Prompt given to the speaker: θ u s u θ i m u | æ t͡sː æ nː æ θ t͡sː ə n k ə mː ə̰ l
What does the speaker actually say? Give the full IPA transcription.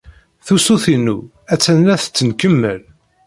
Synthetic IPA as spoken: θ u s u θ i n u | æ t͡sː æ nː æ θ t͡sː ə n k ə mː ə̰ l

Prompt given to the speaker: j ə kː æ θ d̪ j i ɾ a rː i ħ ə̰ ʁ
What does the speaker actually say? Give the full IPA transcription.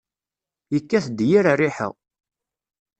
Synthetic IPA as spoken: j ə kː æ θ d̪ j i ɾ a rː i ħ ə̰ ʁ

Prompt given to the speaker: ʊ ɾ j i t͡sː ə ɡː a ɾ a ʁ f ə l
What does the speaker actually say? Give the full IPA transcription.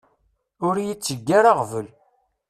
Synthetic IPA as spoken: ʊ ɾ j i t͡sː ə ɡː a ɾ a ʁ v ə l

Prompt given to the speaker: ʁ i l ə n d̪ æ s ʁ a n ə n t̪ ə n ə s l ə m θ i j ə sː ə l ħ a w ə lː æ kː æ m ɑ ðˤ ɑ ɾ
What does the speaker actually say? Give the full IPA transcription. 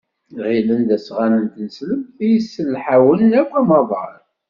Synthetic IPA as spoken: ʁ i l ə n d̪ æ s ʁ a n ə n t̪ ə n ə s l ə m θ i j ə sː ə l ħ a w ə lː æ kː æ m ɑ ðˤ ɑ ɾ

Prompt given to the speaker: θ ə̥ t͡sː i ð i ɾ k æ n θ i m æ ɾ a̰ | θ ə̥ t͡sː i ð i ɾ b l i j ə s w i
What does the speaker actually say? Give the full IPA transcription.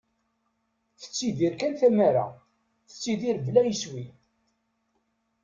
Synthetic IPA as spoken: θ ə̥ t͡sː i ð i ɾ k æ n θ æ m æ ɾ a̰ | θ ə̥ t͡sː i ð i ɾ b l æ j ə s w i

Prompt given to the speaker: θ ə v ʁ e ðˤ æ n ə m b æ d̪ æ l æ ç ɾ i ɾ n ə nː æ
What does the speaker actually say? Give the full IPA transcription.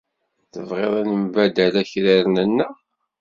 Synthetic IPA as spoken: θ ə v ʁ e ðˤ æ n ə m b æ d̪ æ l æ ç ɾ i ɾ n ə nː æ

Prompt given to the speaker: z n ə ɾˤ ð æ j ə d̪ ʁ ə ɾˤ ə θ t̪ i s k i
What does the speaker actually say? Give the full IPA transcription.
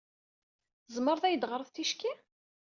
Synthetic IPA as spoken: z m ə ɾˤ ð æ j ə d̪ ʁ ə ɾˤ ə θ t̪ i ʃ k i

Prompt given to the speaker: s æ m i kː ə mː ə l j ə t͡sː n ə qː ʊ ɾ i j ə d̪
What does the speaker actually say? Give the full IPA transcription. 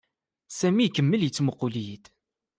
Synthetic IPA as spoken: s æ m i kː ə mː ə l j ə t͡sː m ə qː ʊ l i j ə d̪

